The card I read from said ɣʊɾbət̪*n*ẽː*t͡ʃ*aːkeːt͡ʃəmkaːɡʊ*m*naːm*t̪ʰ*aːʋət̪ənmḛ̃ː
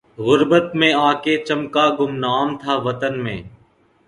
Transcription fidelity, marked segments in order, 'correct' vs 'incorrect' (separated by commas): incorrect, incorrect, correct, correct